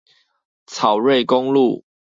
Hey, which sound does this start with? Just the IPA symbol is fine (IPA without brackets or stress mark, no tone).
t͡sʰ